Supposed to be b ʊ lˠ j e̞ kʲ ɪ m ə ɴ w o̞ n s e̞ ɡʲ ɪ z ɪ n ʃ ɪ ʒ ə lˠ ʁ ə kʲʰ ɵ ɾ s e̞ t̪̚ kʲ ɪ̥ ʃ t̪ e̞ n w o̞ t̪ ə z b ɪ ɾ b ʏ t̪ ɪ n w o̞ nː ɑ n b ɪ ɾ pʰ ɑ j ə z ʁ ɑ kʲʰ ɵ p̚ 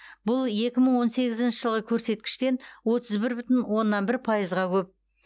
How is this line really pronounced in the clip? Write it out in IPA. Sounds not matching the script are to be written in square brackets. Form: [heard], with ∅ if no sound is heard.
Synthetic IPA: b ʊ lˠ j e̞ kʲ ɪ m ə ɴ w o̞ n s e̞ ɡʲ ɪ z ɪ n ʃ ɪ ʒ ə lˠ ʁ ə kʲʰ ɵ ɾ s e̞ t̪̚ kʲ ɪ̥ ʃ t̪ e̞ n w o̞ t̪ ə z b ɪ ɾ b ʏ t̪ ɪ n w o̞ nː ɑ n b ɪ ɾ pʰ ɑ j ə z ʁ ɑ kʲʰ ɵ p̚